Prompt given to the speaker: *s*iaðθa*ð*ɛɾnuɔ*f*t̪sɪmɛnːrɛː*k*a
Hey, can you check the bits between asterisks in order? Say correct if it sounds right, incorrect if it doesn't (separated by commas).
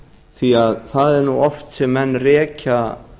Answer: incorrect, correct, correct, incorrect